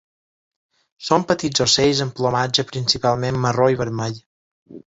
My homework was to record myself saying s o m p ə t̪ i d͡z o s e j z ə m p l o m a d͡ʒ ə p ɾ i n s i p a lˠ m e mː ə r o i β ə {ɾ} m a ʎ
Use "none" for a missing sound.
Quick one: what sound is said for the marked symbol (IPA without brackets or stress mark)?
ɾ